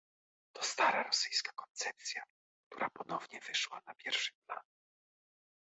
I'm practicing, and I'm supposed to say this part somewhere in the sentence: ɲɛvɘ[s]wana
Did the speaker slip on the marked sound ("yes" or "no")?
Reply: yes